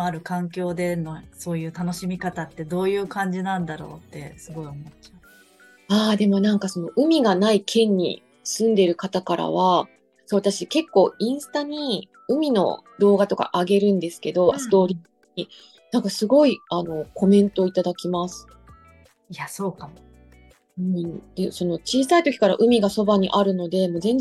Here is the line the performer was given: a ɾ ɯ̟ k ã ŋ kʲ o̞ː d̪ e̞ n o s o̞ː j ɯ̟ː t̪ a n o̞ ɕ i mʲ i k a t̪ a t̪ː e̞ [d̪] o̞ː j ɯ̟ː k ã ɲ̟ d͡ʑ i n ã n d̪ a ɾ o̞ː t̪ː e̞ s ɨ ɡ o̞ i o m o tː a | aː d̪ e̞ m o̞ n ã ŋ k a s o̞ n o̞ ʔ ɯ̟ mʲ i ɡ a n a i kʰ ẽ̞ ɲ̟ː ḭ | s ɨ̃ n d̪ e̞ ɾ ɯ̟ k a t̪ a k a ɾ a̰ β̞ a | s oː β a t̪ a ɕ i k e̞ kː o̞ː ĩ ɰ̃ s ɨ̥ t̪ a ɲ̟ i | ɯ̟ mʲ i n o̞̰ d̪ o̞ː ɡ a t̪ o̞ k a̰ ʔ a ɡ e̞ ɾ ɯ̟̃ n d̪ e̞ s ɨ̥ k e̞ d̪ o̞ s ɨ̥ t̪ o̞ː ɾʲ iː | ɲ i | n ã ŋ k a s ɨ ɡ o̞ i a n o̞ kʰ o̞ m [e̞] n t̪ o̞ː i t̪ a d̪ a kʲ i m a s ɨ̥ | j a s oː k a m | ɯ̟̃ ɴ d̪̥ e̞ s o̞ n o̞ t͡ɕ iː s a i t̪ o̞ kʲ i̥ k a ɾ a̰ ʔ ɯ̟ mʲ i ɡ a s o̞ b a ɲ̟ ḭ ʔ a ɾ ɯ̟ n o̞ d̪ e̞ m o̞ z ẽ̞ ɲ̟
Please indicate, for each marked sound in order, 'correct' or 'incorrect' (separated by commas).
correct, incorrect